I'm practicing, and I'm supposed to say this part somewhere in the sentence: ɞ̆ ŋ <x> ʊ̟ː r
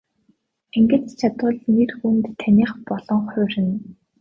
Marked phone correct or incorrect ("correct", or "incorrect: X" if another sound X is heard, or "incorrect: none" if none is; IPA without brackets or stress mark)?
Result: incorrect: χ